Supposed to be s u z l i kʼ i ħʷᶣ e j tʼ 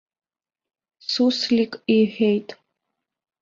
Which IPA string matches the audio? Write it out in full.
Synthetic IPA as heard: s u s l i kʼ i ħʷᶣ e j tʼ